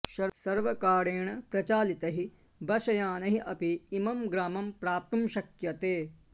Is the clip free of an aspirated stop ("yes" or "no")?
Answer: yes